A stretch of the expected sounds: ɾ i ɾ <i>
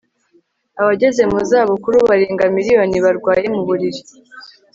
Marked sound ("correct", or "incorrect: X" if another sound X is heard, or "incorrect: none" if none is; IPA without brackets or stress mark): correct